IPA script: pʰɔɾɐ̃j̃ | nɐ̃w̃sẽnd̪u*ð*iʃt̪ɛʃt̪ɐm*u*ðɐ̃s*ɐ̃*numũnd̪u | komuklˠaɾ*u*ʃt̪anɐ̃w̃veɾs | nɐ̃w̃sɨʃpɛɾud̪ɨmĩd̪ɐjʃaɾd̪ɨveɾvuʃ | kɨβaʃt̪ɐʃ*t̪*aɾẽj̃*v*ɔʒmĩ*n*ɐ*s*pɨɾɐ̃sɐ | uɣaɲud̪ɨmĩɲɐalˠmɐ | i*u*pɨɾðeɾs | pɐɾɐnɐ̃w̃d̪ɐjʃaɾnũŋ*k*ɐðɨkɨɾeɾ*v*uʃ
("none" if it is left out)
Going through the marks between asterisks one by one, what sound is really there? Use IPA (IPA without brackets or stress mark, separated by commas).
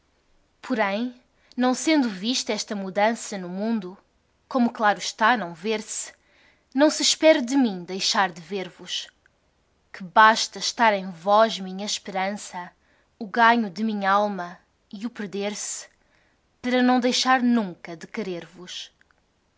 v, u, ɐ, u, t̪, v, ɲ, ʃ, u, k, v